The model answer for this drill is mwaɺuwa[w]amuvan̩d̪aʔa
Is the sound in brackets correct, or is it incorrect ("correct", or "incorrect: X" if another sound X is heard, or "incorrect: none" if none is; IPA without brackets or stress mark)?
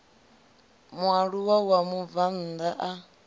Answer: correct